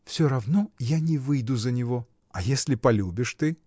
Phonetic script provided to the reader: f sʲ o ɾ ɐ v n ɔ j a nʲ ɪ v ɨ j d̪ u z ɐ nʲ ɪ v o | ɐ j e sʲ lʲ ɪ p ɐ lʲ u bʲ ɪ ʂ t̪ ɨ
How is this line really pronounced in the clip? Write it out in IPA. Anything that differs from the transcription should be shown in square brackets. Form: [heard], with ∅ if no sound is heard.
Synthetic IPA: f sʲ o ɾ ɐ v n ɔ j a nʲ ɪ v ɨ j d̪ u z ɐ nʲ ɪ v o | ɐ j e sʲ lʲ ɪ p ɐ lʲ u bʲ ɪ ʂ t̪ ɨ

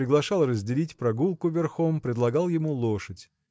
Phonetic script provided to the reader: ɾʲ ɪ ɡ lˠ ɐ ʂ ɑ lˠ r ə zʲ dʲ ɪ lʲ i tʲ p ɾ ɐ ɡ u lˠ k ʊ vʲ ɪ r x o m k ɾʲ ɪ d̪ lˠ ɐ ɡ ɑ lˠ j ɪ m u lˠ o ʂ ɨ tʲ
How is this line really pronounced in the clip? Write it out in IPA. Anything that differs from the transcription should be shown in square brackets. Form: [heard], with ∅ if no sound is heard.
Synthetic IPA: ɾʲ ɪ ɡ lˠ ɐ ʂ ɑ lˠ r ə zʲ dʲ ɪ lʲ i tʲ p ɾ ɐ ɡ u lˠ k ʊ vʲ ɪ r x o m [p] ɾʲ ɪ d̪ lˠ ɐ ɡ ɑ lˠ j ɪ m u lˠ o ʂ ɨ tʲ

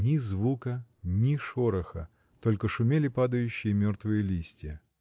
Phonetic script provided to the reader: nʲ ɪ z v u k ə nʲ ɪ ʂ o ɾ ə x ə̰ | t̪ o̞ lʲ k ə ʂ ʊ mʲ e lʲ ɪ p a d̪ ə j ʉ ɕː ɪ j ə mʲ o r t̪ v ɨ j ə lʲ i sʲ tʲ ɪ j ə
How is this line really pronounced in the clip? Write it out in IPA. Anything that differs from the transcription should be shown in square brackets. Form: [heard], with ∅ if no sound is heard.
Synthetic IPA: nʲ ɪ z v u k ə nʲ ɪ ʂ o ɾ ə x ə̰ | t̪ o̞ lʲ k ə ʂ ʊ mʲ e lʲ ɪ p a d̪ ə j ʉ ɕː ɪ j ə mʲ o r t̪ v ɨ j ə lʲ i sʲ tʲ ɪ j ə

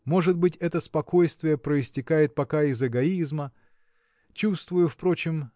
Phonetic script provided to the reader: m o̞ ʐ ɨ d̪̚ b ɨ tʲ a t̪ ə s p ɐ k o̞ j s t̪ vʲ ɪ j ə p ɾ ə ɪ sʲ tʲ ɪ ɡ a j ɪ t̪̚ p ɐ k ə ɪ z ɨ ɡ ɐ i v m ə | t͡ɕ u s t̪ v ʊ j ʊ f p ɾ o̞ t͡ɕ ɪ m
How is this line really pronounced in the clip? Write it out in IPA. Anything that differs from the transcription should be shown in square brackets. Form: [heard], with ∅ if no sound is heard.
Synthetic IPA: m o̞ ʐ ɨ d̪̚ b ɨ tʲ [ɛ] t̪ ə s p ɐ k o̞ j s t̪ vʲ ɪ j ə p ɾ ə ɪ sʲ tʲ ɪ [k] a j ɪ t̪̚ p ɐ k [a] ɪ z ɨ ɡ ɐ i [z] m ə | t͡ɕ u s t̪ v ʊ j ʊ f p ɾ o̞ t͡ɕ ɪ m

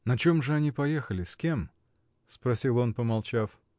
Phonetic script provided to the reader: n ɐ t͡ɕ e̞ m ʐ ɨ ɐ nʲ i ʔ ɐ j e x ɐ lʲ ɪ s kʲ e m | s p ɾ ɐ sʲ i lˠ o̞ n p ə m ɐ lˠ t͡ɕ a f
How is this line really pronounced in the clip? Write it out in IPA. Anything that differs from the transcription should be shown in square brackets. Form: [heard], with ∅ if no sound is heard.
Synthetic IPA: n ɐ t͡ɕ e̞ m ʐ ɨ ɐ nʲ i [p] ɐ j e x [ə] lʲ ɪ s kʲ e m | s p ɾ ɐ sʲ i lˠ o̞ n p ə m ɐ lˠ t͡ɕ a f

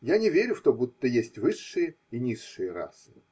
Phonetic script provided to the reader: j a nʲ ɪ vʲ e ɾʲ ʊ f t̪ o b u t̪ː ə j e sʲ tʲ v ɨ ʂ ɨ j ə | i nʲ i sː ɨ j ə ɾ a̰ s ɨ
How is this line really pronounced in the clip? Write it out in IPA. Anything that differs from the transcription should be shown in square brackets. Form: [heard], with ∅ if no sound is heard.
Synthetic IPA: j a nʲ ɪ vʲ e ɾʲ ʊ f t̪ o b u t̪ː ə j e sʲ tʲ v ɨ [ʂː] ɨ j ə | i nʲ i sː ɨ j ə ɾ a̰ s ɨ

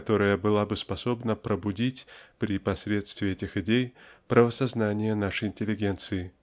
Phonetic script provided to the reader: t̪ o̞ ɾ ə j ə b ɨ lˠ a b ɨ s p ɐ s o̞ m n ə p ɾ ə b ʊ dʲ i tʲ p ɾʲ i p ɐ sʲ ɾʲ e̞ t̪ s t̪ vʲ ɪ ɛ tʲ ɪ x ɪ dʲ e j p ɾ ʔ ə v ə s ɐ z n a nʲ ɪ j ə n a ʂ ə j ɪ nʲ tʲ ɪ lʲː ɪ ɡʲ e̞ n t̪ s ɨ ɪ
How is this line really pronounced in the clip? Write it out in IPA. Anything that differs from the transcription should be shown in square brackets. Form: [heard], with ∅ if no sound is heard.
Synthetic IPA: t̪ o̞ ɾ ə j ə b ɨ lˠ a b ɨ s p ɐ s o̞ [b] n ə p ɾ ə b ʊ dʲ i tʲ p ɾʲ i p ɐ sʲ ɾʲ e̞ t̪ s t̪ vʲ ɪ ɛ tʲ ɪ x ɪ dʲ e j p ɾ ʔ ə v ə s ɐ z n a nʲ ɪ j ə n a ʂ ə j ɪ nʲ tʲ ɪ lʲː ɪ ɡʲ e̞ n t̪ s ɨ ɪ

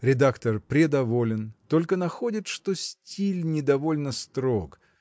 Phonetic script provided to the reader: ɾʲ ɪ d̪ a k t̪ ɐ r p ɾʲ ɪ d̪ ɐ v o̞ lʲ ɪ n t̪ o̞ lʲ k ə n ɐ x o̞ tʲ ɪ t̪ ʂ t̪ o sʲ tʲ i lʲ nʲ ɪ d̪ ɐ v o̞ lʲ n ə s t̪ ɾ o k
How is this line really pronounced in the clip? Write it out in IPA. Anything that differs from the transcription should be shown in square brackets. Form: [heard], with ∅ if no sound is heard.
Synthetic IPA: ɾʲ ɪ d̪ a k t̪ [ə] r p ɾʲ ɪ d̪ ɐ v o̞ lʲ ɪ n t̪ o̞ lʲ k ə n ɐ x o̞ [dʲ] ɪ t̪ ʂ t̪ o sʲ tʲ i lʲ nʲ ɪ d̪ ɐ v o̞ lʲ n ə s t̪ ɾ o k

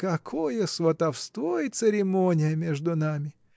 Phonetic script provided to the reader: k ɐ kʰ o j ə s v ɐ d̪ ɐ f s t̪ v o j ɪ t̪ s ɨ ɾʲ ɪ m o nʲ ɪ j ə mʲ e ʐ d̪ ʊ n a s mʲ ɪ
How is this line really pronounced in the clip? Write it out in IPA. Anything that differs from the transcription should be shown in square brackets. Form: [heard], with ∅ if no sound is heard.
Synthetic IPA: k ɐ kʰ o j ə s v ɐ [t̪] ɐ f s t̪ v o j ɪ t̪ s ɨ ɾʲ ɪ m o nʲ ɪ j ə mʲ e ʐ d̪ ʊ n a [∅] mʲ ɪ

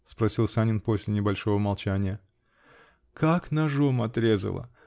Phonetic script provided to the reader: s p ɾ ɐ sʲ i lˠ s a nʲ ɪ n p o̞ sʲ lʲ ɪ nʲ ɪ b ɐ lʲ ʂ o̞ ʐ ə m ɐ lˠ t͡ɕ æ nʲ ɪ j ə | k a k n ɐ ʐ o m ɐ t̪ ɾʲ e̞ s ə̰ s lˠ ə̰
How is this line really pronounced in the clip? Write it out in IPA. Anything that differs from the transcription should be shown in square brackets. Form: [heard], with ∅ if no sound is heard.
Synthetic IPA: s p ɾ ɐ sʲ i lˠ s a nʲ ɪ n p o̞ sʲ lʲ ɪ nʲ ɪ b ɐ lʲ ʂ o̞ [v] ə m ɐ lˠ t͡ɕ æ nʲ ɪ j ə | k a k n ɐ ʐ o m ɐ t̪ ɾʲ e̞ [z] ə̰ [∅] lˠ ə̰

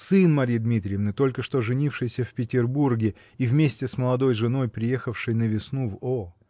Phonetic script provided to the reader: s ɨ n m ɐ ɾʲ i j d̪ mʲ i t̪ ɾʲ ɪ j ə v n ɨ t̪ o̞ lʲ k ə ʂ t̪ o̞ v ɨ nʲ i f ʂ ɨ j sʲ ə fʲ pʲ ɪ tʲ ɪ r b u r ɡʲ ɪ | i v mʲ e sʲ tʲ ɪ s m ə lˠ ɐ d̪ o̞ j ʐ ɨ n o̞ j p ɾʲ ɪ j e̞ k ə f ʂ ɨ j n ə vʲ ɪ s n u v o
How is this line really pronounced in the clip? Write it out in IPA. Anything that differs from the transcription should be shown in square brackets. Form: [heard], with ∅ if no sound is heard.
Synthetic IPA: s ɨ n m ɐ ɾʲ i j d̪ mʲ i t̪ ɾʲ ɪ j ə v n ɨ t̪ o̞ lʲ k ə ʂ t̪ o̞ [ʐ] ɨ nʲ i f ʂ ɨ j sʲ ə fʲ pʲ ɪ tʲ ɪ r b u r ɡʲ ɪ | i v mʲ e sʲ tʲ ɪ s m ə lˠ ɐ d̪ o̞ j ʐ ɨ n o̞ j p ɾʲ ɪ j e̞ [x] ə f ʂ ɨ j n ə vʲ ɪ s n u v o

